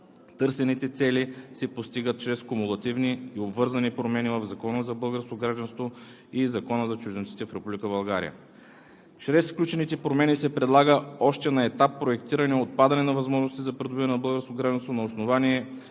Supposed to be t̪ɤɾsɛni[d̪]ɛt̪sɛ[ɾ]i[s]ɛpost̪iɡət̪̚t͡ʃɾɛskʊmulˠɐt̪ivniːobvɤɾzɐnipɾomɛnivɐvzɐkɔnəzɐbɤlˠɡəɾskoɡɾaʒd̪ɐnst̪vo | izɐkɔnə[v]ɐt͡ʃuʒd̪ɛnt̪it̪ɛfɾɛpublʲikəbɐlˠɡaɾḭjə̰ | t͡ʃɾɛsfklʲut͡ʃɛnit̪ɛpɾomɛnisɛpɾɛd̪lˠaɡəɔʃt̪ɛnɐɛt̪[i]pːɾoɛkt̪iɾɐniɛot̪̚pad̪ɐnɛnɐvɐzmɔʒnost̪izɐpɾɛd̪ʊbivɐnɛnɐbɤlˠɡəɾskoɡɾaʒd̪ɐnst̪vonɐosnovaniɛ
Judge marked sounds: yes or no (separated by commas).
no, no, yes, no, no